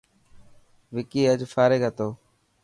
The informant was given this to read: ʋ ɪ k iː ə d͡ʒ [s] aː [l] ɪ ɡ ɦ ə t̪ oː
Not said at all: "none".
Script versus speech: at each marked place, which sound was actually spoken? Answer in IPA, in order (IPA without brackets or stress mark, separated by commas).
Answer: f, ɾ